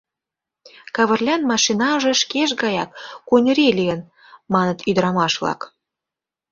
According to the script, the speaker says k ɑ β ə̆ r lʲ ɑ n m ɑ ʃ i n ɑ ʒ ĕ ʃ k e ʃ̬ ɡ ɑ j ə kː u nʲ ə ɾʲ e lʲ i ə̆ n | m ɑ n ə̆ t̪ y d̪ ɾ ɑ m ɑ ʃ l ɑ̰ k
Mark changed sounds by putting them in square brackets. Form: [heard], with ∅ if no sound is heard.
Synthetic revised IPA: k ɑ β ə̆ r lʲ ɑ n m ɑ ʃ i n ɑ ʒ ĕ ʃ k e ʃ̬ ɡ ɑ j [ɑ] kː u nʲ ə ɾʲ e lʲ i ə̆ n | m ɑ n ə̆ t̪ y d̪ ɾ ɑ m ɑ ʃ l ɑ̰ k